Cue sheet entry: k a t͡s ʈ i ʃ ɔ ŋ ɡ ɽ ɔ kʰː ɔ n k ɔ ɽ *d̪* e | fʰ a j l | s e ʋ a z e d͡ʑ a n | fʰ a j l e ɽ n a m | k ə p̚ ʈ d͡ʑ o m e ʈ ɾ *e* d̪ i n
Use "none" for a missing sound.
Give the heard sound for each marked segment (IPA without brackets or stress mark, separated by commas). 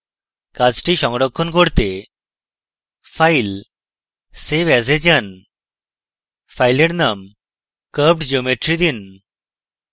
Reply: t̪, i